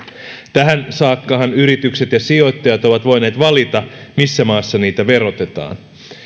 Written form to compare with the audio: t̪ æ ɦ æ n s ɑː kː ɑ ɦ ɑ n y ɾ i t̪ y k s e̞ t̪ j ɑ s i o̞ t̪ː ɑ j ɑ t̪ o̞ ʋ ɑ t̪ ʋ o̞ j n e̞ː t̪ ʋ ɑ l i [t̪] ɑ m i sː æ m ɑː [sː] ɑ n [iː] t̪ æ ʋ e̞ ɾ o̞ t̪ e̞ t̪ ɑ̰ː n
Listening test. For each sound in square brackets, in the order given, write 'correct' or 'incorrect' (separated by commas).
correct, correct, correct